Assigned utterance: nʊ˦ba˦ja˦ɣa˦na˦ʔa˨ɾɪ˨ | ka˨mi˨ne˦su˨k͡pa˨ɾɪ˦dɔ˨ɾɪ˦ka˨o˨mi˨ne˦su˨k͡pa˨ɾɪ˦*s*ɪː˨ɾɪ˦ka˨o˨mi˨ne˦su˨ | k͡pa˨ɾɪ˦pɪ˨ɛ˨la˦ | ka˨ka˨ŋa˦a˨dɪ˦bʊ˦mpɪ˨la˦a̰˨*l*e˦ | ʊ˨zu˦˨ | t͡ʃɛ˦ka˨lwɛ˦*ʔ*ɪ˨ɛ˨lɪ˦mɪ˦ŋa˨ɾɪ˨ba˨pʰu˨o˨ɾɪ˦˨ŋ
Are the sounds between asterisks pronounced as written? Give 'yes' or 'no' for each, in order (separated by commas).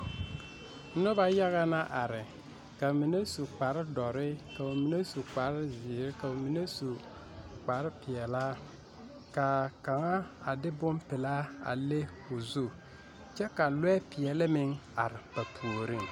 no, yes, no